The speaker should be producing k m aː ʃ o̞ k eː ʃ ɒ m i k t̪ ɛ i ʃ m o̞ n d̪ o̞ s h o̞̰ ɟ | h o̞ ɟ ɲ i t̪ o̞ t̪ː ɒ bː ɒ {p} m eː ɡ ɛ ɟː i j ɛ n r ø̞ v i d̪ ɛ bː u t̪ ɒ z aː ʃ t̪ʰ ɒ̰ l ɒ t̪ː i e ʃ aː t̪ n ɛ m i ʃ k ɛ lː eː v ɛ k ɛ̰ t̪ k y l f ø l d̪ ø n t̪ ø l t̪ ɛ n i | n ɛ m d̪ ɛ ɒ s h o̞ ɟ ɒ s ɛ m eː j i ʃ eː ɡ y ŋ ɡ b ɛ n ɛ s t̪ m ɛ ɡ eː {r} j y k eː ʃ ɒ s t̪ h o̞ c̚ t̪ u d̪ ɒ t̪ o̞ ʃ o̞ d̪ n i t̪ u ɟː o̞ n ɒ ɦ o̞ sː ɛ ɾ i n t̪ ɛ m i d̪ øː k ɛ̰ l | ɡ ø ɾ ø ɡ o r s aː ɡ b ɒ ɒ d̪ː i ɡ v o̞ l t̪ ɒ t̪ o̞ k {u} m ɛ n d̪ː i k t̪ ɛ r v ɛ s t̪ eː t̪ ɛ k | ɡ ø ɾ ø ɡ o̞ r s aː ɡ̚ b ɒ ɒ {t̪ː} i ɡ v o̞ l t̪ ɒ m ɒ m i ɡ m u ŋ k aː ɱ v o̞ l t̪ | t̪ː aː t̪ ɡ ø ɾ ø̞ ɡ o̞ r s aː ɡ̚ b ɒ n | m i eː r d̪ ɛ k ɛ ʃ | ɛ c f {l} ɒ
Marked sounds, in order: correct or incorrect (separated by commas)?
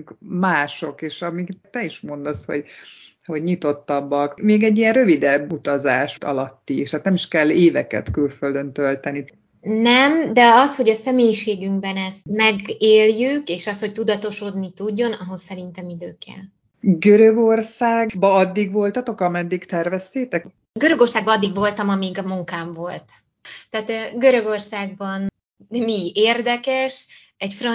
incorrect, incorrect, incorrect, incorrect, incorrect